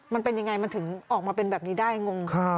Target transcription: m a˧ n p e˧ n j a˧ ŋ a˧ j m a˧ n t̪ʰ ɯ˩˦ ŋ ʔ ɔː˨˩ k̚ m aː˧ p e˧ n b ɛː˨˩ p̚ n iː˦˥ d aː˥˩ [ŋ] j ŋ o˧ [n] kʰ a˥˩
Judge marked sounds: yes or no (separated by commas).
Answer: no, no